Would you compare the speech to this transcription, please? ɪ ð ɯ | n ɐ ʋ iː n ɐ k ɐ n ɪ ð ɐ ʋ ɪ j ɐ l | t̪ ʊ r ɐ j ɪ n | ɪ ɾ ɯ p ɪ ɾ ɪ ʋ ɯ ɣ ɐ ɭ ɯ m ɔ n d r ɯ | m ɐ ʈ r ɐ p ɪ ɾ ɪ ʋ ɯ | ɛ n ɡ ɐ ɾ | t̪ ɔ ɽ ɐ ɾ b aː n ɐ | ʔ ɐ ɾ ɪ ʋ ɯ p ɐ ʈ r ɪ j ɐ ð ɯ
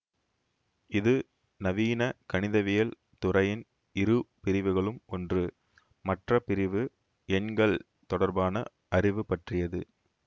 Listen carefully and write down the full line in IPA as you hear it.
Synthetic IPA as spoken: ɪ ð ɯ | n ɐ ʋ iː n ɐ k ɐ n ɪ ð ɐ ʋ ɪ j ɐ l | t̪ ʊ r ɐ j ɪ n | ɪ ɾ ɯ p ɪ ɾ ɪ ʋ ɯ ɣ ɐ ɭ ɯ m ɔ n d r ɯ | m ɐ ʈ r ɐ p ɪ ɾ ɪ ʋ ɯ | ɛ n ɡ ɐ ɭ | t̪ ɔ ɽ ɐ ɾ b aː n ɐ | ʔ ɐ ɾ ɪ ʋ ɯ p ɐ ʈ r ɪ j ɐ ð ɯ

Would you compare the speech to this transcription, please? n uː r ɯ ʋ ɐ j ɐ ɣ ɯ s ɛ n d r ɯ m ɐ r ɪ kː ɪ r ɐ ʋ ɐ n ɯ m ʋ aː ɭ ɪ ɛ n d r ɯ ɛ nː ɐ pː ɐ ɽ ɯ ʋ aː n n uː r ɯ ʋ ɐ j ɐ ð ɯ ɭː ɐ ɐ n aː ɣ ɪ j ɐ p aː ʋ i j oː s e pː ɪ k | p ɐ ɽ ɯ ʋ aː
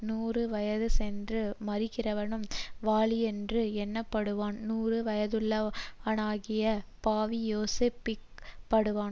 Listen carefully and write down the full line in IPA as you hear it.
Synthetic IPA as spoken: n uː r ɯ ʋ ɐ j ɐ ð ɯ s ɛ n d r ɯ m ɐ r ɪ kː ɪ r ɐ ʋ ɐ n ɯ m ʋ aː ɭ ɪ ɛ n d r ɯ ɛ nː ɐ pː ɐ ɽ ɯ ʋ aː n n uː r ɯ ʋ ɐ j ɐ ð ɯ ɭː ɐ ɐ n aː ɣ ɪ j ɐ p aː ʋ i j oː s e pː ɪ k | p ɐ ɽ ɯ ʋ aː

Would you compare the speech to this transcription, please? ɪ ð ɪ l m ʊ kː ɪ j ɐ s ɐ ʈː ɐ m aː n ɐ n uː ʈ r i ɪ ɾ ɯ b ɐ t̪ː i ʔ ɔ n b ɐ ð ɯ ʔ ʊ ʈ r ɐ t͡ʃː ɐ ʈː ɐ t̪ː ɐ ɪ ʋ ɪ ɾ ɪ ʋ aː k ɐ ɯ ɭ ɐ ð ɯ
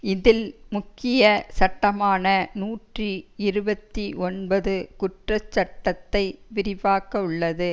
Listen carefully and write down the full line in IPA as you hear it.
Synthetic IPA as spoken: ɪ ð ɪ l m ʊ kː ɪ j ɐ s ɐ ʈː ɐ m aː n ɐ n uː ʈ r i ɪ ɾ ɯ b ɐ t̪ː i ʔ ɔ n b ɐ ð ɯ k ʊ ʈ r ɐ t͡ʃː ɐ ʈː ɐ t̪ː ɐ ɪ ʋ ɪ ɾ ɪ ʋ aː k ɐ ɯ ɭː ɐ ð ɯ

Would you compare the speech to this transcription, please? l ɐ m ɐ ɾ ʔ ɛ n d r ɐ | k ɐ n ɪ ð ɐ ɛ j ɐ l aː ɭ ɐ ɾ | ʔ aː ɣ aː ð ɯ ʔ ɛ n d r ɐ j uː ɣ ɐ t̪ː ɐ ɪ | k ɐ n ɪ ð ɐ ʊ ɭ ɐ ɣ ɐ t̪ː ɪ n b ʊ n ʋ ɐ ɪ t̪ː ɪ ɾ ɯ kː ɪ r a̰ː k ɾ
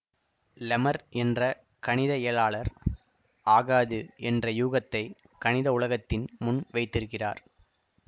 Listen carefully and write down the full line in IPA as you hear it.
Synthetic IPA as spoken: l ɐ m ɐ ɾ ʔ ɛ n d r ɐ | k ɐ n ɪ ð ɐ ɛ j ɐ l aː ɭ ɐ ɾ | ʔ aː ɣ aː ð ɯ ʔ ɛ n d r ɐ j uː ɣ ɐ t̪ː ɐ ɪ | k ɐ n ɪ ð ɐ ʊ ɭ ɐ ɣ ɐ t̪ː ɪ n m ʊ n ʋ ɐ ɪ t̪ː ɪ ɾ ɯ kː ɪ r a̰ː ɾ

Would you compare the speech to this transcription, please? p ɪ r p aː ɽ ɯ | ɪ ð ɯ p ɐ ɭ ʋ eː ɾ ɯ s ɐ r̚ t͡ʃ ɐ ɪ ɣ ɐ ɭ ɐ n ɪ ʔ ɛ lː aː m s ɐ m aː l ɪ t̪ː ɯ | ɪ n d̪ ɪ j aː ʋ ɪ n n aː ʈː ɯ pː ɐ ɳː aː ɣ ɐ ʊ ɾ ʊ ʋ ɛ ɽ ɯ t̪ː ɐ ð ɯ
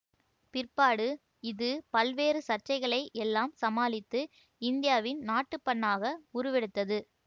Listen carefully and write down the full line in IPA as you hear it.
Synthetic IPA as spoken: p ɪ r p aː ɽ ɯ | ɪ ð ɯ p ɐ l ʋ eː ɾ ɯ s ɐ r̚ t͡ʃ ɐ ɪ ɣ ɐ ɭ ɐ ɪ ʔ ɛ lː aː m s ɐ m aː l ɪ t̪ː ɯ | ɪ n d̪ ɪ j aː ʋ ɪ n n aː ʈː ɯ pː ɐ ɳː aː ɣ ɐ ʊ ɾ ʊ ʋ ɛ ɽ ɯ t̪ː ɐ ð ɯ

